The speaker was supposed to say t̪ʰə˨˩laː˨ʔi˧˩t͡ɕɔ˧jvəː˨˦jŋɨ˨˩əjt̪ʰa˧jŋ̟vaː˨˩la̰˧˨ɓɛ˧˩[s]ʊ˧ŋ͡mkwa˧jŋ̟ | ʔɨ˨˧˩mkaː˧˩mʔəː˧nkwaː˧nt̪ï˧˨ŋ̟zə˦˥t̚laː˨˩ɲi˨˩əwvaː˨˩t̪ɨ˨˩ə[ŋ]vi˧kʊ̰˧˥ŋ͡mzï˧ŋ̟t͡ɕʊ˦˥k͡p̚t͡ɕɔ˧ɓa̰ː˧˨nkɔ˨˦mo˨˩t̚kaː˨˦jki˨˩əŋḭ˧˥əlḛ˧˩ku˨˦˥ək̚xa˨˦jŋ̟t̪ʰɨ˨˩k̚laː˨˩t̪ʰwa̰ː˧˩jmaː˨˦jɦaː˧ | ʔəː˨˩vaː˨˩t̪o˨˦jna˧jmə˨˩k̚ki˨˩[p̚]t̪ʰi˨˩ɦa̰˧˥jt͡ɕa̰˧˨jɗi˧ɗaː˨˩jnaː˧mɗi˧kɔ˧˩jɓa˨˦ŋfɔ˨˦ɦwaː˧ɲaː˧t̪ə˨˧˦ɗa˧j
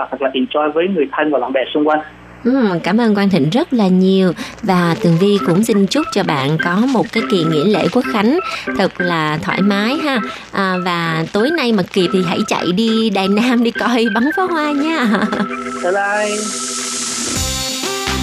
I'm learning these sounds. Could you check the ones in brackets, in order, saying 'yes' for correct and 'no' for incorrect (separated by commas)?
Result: yes, yes, yes